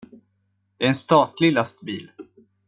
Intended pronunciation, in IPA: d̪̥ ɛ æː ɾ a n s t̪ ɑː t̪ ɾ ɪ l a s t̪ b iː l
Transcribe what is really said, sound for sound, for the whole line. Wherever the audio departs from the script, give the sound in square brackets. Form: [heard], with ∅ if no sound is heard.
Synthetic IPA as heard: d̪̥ ɛ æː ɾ [ɛ] n s t̪ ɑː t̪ [l] ɪ l a s t̪ b iː l